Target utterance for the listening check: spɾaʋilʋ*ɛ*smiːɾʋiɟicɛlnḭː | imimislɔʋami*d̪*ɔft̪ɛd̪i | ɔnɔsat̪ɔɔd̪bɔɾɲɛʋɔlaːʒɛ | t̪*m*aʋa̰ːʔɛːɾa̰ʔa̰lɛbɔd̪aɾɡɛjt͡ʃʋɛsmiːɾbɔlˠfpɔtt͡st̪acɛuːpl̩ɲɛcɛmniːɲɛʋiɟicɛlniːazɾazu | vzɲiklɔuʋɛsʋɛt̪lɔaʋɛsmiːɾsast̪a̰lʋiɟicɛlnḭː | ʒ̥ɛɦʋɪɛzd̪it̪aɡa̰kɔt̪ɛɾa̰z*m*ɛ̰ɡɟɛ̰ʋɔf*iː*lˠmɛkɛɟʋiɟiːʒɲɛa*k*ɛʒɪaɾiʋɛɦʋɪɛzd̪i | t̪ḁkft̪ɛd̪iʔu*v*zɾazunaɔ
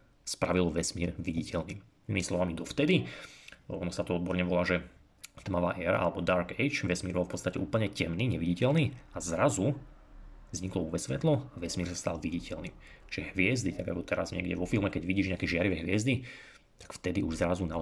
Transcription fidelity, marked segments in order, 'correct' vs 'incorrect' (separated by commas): correct, correct, correct, incorrect, incorrect, correct, incorrect